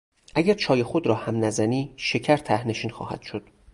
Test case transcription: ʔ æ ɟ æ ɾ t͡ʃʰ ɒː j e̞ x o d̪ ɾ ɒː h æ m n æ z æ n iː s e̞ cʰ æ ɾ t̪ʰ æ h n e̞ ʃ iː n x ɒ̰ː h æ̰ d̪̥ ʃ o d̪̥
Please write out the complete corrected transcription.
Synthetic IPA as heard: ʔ æ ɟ æ ɾ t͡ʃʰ ɒː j e̞ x o d̪ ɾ ɒː h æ m n æ z æ n iː ʃ e̞ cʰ æ ɾ t̪ʰ æ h n e̞ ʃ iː n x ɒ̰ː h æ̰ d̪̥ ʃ o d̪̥